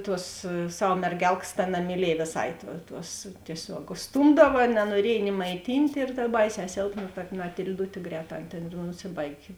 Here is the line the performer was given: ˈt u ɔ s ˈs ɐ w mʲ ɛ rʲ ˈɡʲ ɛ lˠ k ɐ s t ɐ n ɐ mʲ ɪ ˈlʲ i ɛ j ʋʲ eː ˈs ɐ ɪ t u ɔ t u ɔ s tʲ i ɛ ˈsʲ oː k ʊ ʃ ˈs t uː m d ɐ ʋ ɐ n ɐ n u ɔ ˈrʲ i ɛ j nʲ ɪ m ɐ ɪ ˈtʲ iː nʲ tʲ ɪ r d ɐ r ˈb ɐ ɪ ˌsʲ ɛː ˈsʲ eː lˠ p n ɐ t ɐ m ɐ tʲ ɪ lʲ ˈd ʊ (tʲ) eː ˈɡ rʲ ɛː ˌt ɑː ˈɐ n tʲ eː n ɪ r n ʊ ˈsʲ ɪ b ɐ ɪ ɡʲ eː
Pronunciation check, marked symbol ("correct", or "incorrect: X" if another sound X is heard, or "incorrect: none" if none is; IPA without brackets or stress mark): correct